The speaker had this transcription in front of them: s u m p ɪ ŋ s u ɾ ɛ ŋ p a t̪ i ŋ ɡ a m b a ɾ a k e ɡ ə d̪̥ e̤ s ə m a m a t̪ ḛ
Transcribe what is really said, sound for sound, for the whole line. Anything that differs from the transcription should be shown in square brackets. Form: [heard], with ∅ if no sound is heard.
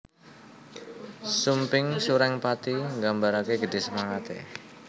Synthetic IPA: s u m p ɪ ŋ s u ɾ ɛ ŋ p a t̪ i ŋ ɡ a m b a ɾ a k e ɡ ə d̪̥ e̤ s ə m a [ŋ] a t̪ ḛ